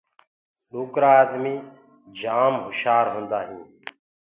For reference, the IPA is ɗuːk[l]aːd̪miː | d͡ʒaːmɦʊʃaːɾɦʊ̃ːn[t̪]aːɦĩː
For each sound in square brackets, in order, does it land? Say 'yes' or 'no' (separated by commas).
no, no